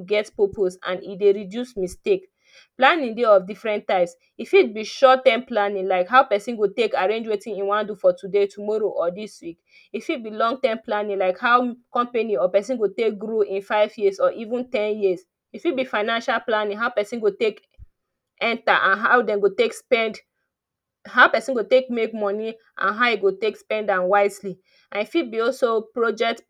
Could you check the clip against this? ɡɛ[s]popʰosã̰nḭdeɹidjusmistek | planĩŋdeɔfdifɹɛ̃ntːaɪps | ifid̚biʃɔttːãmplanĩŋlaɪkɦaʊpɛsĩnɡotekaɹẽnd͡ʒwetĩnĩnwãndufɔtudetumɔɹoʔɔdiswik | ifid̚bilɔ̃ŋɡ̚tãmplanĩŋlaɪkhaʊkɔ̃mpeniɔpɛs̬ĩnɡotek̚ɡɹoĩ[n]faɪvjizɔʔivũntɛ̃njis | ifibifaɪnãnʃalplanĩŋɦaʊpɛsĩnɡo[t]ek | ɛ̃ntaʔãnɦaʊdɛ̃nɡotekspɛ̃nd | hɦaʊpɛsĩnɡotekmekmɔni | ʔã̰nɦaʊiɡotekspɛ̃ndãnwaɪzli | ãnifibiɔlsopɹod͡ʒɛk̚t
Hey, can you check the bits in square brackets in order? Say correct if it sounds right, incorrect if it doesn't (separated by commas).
incorrect, correct, correct